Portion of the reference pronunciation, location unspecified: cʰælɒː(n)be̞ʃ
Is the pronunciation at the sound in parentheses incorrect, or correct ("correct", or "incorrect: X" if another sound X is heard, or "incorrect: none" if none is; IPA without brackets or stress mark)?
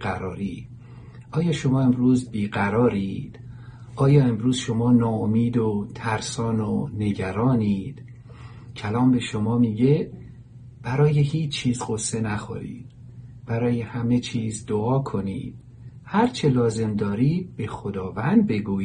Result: incorrect: m